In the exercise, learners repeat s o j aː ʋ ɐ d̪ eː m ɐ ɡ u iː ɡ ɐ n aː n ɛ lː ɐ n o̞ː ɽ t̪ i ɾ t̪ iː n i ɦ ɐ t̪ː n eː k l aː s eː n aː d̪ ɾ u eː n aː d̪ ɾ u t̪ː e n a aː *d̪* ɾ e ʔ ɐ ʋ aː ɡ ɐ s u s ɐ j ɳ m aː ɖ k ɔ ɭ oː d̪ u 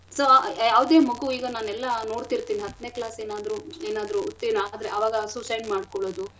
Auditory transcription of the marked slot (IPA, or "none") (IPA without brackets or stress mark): d̪